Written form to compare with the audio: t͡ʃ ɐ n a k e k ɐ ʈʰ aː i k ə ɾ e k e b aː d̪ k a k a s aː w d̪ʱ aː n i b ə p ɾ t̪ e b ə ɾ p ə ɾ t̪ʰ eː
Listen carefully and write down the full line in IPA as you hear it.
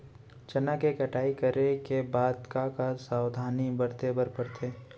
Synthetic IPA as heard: t͡ʃ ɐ n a k e k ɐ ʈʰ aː i k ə ɾ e k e b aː d̪ k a k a s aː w d̪ʱ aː n i b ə ɾ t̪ e b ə ɾ p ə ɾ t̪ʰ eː